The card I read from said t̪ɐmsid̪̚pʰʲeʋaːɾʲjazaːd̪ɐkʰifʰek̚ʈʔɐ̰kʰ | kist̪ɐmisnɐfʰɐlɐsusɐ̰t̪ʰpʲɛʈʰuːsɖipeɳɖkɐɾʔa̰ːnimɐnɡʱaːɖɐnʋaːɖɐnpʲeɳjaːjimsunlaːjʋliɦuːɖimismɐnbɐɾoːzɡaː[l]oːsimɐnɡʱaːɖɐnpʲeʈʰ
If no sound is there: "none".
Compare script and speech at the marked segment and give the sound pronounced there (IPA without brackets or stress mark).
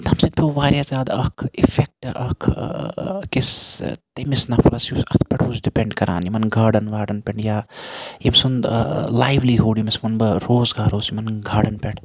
ɾ